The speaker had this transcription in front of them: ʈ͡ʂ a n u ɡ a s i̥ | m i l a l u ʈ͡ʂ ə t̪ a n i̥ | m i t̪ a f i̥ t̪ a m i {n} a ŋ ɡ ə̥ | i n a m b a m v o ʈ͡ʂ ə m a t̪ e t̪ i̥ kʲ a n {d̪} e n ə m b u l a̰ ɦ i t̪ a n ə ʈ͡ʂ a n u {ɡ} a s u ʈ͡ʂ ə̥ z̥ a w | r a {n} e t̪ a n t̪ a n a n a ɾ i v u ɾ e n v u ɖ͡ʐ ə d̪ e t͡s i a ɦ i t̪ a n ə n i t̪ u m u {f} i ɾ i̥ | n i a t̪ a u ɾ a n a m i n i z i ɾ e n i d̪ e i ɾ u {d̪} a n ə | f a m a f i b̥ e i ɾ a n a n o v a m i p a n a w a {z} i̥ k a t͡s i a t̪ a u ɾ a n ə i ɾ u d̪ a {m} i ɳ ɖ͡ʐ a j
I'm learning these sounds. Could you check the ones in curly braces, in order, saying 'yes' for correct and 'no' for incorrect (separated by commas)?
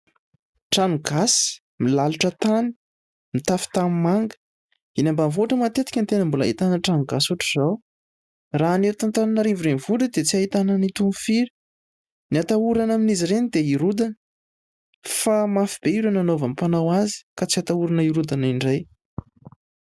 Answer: no, no, yes, yes, yes, yes, yes, no